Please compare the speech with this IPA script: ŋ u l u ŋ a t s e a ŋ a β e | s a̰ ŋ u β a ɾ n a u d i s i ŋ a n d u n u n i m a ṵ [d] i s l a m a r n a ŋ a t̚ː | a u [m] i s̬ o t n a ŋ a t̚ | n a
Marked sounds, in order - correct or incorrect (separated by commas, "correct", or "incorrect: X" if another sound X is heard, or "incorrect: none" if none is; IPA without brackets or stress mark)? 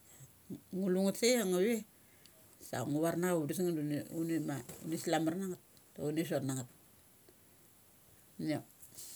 incorrect: n, incorrect: n